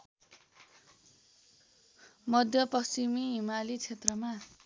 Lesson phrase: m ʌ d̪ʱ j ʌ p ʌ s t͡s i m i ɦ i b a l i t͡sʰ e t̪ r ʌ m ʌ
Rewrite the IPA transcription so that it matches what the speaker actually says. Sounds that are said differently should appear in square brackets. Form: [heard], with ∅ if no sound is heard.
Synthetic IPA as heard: m ʌ d̪ʱ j ʌ p ʌ s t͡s i m i ɦ i [m] a l i t͡sʰ e t̪ r ʌ m [a]